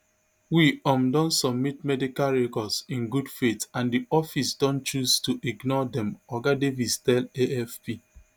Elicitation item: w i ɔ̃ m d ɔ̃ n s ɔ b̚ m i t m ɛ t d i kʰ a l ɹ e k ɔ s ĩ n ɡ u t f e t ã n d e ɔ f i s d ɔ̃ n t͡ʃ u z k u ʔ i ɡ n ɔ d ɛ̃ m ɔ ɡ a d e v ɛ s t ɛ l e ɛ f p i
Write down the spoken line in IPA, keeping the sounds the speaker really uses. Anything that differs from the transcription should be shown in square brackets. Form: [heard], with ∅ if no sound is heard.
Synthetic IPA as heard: w i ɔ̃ m d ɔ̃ n s ɔ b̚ m i t m ɛ [∅] d i [k] a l ɹ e k ɔ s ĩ n ɡ u [d] f e t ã n d [i] ɔ f i s d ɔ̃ n t͡ʃ u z [t] u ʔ i ɡ n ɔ d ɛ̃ m ɔ ɡ a d e v [i] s t ɛ l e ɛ f p i